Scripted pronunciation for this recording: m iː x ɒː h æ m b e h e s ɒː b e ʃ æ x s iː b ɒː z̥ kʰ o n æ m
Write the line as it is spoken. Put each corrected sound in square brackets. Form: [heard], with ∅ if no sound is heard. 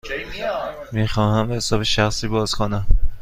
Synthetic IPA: m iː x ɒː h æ m b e h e s ɒː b e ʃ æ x s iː b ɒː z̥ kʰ o n æ m